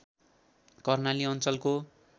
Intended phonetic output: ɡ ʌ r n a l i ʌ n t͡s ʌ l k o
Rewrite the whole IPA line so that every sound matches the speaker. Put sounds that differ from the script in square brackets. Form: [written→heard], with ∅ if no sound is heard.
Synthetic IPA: [ɡ→k] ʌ r n a l i ʌ n t͡s ʌ l k o